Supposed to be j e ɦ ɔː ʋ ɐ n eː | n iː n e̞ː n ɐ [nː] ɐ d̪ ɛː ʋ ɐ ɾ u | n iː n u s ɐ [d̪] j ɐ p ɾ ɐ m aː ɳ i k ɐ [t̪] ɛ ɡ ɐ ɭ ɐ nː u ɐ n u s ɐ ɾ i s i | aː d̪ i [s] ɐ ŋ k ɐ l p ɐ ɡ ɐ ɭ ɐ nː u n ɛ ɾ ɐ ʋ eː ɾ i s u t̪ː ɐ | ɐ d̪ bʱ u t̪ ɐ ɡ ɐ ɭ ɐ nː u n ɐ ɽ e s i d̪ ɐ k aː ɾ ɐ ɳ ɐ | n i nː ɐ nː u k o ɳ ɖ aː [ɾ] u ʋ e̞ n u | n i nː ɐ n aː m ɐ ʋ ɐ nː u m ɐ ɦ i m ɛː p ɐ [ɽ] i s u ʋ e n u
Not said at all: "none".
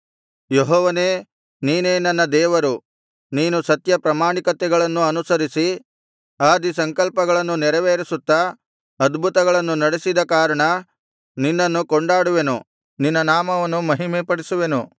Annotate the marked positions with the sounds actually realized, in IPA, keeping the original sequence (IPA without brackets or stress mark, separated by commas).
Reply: nː, t̪, t̪, s, ɽ, ɽ